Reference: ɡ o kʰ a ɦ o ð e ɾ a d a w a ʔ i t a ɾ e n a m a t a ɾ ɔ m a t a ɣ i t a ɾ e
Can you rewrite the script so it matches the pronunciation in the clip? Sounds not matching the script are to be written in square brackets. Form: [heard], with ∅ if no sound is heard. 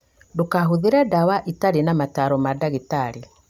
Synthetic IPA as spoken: [d] o [k] a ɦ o ð e ɾ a d a w a ʔ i t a ɾ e n a m a t a ɾ ɔ m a [d] a ɣ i t a ɾ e